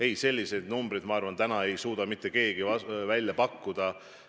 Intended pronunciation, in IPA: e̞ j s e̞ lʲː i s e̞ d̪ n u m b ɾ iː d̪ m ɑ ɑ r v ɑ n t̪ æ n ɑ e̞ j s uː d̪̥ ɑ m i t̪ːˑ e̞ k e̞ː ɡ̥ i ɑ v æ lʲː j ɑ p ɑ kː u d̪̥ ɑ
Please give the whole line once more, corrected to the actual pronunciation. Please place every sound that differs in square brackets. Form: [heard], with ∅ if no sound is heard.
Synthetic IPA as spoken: e̞ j s e̞ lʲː i s e̞ d̪ n u m b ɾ [i] d̪ m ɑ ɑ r v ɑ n t̪ æ n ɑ e̞ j s uː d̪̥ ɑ m i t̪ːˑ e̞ k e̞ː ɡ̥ i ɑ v æ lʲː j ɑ p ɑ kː u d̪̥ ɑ